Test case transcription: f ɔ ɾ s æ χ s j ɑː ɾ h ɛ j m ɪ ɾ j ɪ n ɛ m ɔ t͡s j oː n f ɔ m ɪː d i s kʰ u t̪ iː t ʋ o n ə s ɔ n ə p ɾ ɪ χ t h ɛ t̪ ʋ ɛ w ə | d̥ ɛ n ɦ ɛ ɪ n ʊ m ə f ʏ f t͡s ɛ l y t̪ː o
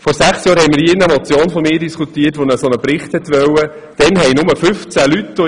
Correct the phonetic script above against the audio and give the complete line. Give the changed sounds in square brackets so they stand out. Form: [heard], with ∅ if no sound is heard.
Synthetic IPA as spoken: f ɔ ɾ s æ χ s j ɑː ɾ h ɛ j m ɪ ɾ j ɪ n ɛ m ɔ t͡s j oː n f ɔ m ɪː d i s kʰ u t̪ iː t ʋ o n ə s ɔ n ə p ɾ ɪ χ t h ɛ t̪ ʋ [œ] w ə | d̥ ɛ n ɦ ɛ ɪ n ʊ m ə f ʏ f t͡s [æ] l y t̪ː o